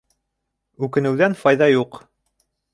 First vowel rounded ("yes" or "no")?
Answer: yes